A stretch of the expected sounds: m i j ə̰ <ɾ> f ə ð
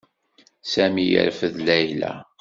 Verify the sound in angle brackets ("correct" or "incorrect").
correct